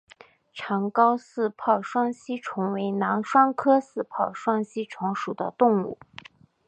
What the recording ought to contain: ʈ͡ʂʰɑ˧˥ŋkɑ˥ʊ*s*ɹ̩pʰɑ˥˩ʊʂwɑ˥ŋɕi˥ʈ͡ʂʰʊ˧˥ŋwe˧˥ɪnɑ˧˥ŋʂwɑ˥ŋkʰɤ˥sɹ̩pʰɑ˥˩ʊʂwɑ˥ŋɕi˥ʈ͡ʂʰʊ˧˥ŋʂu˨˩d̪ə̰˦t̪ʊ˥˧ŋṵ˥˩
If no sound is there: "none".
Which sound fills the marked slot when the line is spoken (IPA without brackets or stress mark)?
s